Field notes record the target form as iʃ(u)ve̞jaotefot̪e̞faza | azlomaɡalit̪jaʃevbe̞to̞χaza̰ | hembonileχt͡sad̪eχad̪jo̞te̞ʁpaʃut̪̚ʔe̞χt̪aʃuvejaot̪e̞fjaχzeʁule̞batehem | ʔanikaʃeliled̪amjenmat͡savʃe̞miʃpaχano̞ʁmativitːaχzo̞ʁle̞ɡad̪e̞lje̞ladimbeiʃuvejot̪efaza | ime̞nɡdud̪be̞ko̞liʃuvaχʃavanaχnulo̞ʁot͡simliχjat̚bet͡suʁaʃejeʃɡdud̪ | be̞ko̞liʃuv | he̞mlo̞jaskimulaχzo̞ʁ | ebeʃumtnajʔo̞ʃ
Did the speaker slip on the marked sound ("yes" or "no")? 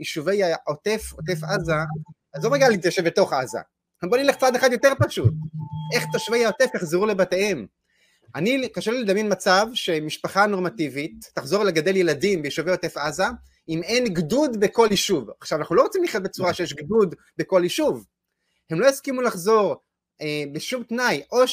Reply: no